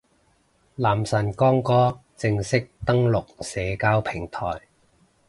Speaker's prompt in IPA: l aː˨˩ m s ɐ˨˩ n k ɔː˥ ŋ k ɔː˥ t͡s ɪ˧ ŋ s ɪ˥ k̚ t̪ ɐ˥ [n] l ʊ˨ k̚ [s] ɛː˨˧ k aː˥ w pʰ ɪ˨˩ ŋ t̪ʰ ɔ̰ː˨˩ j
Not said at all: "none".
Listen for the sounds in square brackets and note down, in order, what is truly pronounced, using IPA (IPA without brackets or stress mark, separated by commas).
ŋ, s